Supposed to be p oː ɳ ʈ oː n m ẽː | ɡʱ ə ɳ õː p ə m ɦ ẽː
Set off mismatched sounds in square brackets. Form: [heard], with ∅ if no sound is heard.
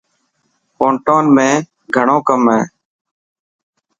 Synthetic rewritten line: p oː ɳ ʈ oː n m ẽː | ɡʱ ə ɳ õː [k] ə m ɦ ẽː